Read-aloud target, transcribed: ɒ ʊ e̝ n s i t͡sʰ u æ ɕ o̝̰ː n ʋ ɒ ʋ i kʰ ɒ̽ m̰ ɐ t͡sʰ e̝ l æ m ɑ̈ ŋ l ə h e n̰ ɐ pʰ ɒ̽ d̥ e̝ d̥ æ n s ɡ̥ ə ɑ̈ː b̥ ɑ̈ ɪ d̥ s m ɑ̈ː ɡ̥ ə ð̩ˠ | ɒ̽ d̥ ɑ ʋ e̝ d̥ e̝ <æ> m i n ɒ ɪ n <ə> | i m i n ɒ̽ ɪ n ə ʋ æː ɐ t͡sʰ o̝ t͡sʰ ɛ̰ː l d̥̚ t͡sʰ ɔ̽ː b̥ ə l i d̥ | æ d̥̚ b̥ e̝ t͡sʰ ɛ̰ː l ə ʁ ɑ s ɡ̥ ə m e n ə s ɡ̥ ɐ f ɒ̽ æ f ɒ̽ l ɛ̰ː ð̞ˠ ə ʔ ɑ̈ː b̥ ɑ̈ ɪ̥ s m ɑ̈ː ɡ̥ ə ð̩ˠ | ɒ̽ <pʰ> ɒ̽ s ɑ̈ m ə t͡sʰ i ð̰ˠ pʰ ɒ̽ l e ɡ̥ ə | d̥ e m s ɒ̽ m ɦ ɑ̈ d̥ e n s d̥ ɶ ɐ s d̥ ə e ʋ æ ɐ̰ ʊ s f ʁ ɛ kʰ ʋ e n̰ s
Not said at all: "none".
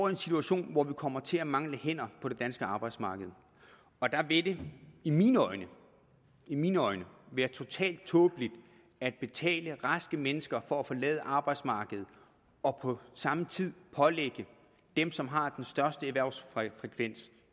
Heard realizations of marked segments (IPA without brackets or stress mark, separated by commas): i, ə, pʰ